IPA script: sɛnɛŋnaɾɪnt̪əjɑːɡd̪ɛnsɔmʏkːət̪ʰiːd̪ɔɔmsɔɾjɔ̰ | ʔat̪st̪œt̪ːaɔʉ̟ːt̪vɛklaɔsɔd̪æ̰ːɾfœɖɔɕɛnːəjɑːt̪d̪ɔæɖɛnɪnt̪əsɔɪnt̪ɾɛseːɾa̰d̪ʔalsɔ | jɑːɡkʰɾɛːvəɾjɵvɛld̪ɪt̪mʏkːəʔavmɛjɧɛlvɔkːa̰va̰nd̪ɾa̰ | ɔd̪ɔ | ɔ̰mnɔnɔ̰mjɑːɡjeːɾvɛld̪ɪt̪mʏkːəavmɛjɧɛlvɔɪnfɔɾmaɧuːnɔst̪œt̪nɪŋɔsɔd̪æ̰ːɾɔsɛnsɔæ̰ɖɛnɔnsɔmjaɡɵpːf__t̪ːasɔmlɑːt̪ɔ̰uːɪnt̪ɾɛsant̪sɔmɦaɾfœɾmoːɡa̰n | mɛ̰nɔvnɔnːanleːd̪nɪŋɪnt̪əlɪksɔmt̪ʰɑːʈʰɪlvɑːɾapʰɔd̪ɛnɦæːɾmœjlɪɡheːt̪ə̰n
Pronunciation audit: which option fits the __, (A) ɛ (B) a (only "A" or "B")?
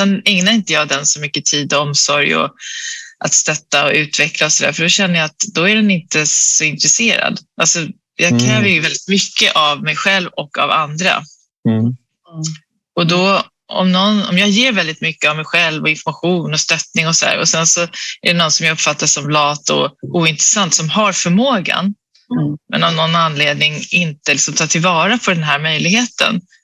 B